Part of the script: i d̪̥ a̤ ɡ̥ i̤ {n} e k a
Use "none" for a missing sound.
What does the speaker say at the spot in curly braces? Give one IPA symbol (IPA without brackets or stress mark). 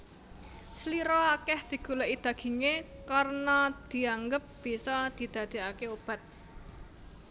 ŋ